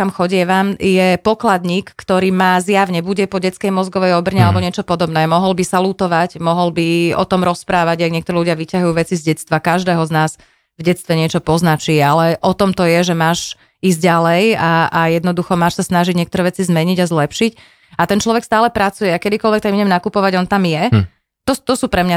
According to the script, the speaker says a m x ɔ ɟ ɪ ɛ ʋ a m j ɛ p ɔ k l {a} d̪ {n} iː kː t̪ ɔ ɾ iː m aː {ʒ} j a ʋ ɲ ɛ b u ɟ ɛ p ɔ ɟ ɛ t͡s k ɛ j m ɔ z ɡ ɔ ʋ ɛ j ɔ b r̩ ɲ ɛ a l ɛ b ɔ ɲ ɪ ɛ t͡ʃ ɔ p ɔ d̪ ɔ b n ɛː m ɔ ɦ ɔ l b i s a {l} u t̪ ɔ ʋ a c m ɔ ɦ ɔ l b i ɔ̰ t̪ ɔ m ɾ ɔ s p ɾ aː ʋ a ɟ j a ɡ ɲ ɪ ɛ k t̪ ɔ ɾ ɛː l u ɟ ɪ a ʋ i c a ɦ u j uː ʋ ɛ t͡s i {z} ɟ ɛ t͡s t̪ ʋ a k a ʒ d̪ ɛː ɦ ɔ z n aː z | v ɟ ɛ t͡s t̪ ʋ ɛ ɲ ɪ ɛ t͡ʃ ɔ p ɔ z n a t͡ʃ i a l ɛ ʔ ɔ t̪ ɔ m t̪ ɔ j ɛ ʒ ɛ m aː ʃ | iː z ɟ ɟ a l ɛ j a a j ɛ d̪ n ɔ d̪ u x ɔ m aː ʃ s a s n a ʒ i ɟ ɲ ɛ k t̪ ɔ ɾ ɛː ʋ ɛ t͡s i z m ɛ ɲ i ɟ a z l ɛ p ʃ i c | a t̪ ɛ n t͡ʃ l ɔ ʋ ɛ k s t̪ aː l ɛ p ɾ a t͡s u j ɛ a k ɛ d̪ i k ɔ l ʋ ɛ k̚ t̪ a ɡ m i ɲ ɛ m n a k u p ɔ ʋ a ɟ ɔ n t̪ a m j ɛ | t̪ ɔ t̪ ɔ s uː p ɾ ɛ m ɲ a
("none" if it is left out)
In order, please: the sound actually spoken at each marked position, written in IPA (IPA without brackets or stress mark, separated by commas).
a, ɲ, z, l, z